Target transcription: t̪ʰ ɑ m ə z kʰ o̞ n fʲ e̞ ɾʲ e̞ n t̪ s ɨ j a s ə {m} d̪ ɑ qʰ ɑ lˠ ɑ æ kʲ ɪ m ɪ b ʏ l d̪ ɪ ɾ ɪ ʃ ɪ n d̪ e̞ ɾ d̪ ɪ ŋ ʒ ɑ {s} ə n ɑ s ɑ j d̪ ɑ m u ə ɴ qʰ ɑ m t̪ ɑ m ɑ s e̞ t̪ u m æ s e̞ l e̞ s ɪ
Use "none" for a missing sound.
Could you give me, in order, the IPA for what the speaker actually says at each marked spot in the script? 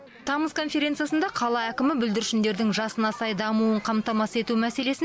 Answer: n, s

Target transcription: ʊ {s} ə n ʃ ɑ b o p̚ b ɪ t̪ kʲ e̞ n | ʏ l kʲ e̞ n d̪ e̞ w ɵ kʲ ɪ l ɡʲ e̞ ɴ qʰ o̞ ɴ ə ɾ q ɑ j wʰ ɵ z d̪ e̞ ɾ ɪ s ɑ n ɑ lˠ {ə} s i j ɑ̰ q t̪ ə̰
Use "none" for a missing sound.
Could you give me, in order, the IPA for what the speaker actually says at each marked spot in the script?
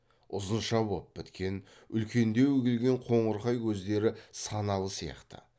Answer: z, ə

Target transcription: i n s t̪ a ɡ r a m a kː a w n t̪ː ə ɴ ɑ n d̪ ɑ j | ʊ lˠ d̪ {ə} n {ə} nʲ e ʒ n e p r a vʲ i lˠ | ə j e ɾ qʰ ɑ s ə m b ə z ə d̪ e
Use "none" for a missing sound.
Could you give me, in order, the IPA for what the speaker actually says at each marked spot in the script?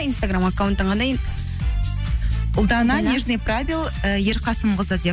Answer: ɑ, ɑ

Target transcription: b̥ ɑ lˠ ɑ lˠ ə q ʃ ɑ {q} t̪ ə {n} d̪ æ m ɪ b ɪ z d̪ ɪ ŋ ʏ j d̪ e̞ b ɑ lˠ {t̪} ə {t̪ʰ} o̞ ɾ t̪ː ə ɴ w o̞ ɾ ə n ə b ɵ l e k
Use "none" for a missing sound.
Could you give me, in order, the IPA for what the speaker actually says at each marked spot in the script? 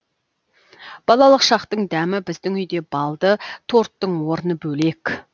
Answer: q, ɴ, d̪, t̪ʰ

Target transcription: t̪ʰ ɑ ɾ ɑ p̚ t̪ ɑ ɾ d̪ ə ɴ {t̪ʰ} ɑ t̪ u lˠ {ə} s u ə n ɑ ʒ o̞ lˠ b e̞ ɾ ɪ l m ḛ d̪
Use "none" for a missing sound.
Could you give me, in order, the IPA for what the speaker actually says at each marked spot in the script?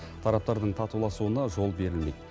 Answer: t̪ʰ, ɑ

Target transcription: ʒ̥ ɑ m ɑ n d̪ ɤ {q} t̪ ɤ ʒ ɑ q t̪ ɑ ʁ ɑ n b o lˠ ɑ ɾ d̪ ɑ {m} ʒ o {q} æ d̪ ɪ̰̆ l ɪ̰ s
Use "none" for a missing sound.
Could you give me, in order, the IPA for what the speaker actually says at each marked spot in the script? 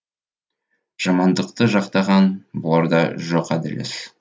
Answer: q, none, q

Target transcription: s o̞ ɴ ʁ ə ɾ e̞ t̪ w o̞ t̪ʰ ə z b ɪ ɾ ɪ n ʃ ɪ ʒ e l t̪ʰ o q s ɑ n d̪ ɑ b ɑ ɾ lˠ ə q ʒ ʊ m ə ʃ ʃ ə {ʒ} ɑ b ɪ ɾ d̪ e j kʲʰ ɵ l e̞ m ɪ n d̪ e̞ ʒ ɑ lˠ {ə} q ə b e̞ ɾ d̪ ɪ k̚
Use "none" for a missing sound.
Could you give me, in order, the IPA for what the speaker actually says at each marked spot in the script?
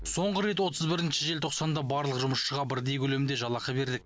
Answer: ʁ, ɑ

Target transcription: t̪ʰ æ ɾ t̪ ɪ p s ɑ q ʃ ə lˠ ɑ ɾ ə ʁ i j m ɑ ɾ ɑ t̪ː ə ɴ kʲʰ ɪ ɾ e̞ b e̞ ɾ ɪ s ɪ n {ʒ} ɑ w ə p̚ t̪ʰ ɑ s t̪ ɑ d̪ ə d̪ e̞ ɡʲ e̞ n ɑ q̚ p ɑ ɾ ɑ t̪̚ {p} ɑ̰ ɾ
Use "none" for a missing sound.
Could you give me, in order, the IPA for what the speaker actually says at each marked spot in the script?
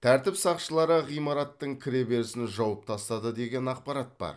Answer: ʒ, b

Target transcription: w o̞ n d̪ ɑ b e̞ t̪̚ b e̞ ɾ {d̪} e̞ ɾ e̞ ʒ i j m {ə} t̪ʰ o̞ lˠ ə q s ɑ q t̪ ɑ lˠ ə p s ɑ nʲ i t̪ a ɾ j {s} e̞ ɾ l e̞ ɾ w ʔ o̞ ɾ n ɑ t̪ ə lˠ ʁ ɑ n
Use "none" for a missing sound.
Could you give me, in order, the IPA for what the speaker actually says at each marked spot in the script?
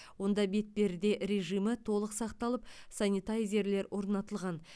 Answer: d̪, ə, z

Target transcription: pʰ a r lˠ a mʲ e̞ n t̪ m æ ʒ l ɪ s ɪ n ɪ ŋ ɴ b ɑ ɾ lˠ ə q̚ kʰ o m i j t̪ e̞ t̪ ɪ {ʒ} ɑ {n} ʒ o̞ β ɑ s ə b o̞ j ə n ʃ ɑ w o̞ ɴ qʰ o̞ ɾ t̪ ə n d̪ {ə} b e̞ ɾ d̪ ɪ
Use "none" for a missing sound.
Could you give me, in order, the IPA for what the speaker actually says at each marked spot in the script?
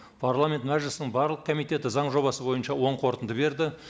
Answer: z, ɴ, ə

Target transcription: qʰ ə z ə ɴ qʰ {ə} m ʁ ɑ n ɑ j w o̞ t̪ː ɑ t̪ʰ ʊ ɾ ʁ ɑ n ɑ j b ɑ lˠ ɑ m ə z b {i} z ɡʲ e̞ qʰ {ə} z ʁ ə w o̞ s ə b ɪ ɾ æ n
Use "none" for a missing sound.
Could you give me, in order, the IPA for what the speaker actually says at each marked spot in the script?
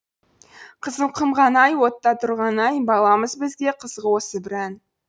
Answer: ə, ɪ, ə

